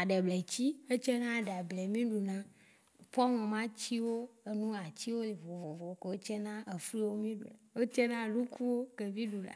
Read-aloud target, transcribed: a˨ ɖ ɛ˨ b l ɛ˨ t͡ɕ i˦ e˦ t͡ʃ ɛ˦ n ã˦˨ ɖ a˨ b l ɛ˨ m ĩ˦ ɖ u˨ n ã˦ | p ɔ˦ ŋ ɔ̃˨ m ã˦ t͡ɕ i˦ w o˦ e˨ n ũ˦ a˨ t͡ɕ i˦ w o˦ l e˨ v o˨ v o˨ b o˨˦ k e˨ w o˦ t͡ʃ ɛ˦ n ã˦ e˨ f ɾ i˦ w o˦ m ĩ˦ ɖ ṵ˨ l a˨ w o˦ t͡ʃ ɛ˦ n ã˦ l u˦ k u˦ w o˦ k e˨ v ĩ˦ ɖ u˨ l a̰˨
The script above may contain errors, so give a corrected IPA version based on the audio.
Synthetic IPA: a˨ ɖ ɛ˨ b l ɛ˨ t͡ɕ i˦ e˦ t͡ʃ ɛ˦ n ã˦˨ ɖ a˨ b l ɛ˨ m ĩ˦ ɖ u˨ n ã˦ | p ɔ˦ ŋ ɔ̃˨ m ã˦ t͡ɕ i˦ w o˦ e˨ n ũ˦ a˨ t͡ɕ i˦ w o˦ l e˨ v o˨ v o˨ v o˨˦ k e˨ w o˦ t͡ʃ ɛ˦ n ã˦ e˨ f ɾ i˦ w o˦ m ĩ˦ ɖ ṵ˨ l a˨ w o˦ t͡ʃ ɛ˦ n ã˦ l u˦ k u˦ w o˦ k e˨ v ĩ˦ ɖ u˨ l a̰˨